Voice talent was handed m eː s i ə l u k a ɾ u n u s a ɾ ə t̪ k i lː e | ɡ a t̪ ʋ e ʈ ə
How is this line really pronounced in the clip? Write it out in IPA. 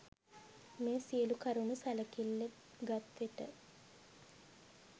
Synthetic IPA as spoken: m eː s i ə l u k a ɾ u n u s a l ə k i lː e | ɡ a t̪ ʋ e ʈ ə